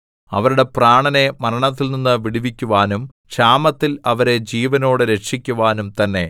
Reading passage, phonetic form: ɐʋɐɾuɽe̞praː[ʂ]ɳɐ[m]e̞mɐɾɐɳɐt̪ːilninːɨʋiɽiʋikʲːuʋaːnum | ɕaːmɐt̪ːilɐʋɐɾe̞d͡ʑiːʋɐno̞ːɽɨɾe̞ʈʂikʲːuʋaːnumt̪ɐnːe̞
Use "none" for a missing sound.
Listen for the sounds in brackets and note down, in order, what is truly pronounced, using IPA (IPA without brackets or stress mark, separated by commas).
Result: none, n